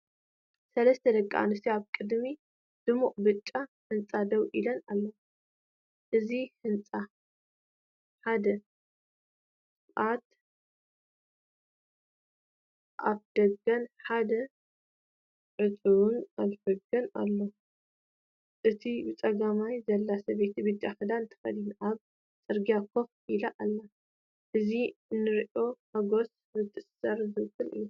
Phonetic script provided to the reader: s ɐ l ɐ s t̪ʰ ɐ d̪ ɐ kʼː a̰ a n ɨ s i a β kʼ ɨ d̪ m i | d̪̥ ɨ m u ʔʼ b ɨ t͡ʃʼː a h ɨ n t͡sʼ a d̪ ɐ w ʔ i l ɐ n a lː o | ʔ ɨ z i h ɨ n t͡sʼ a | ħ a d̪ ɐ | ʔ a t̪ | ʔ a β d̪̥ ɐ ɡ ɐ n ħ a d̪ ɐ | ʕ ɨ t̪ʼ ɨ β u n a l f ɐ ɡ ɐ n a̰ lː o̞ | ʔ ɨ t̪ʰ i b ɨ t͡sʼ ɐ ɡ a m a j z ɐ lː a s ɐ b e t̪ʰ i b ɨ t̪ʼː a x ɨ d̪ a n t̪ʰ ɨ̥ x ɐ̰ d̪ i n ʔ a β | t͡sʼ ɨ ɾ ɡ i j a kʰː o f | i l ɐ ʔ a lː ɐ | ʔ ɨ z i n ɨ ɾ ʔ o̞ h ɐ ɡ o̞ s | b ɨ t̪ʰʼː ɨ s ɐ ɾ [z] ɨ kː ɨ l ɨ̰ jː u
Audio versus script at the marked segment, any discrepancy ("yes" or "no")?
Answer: no